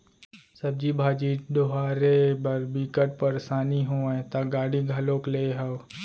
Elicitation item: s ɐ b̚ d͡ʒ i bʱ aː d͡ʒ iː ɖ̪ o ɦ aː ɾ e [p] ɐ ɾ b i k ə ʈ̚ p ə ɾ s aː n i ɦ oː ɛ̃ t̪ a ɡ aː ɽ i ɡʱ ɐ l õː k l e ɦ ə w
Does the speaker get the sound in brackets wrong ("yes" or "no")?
yes